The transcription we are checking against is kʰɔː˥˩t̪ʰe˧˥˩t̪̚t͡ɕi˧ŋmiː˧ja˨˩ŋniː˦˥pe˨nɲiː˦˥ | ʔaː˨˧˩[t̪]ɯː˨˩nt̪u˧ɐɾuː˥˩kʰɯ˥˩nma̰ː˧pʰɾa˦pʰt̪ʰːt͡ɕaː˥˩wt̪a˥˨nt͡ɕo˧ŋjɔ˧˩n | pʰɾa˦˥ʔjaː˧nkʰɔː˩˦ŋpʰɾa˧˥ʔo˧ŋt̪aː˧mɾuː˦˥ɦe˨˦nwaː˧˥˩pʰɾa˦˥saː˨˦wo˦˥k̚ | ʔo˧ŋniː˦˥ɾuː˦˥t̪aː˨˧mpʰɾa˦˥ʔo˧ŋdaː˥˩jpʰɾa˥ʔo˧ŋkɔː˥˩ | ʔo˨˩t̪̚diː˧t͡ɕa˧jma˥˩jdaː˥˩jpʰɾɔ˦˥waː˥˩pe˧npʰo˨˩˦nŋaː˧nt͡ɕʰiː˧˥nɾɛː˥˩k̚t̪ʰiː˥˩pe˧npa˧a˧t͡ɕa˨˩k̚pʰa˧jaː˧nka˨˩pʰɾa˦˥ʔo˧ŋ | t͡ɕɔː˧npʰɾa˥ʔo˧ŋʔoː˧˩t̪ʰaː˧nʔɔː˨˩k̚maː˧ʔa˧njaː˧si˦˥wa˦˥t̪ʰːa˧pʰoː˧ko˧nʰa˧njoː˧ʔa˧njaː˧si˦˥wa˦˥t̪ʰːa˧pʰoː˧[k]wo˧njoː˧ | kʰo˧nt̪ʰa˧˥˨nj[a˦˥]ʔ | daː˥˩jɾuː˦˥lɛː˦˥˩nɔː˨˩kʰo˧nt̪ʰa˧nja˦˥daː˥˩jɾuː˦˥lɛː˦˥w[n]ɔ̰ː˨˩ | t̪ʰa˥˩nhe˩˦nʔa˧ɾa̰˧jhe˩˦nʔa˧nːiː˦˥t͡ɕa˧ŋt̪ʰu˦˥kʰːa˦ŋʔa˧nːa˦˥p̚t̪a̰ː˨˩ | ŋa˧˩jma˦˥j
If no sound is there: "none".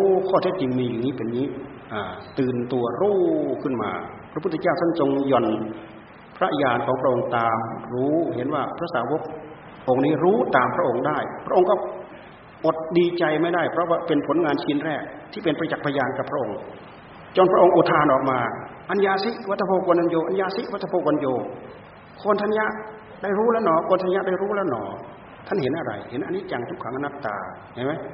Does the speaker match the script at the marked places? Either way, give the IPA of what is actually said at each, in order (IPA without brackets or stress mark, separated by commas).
t̪, k, a˦˥, n